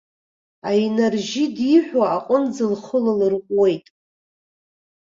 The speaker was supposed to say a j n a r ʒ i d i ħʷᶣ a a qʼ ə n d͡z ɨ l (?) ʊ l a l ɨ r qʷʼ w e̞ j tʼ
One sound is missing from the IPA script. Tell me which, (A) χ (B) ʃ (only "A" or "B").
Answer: A